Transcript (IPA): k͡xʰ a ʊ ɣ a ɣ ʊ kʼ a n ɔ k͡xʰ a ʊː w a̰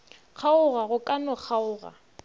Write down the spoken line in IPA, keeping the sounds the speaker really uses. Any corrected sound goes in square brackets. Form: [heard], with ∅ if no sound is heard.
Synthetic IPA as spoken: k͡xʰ a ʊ ɣ a ɣ ʊ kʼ a n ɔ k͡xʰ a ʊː [ɣ] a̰